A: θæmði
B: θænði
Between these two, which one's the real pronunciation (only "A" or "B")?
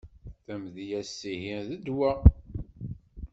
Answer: A